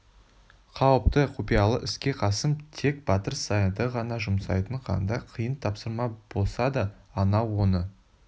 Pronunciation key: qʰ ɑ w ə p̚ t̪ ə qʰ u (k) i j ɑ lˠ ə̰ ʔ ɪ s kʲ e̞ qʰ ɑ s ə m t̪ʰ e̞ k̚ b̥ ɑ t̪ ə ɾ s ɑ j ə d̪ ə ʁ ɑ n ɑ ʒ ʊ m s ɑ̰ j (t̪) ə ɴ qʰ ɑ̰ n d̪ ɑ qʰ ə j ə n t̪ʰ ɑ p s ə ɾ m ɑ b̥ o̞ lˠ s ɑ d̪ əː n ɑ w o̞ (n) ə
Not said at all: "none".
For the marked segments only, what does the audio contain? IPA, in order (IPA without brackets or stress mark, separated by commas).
p, t̪, n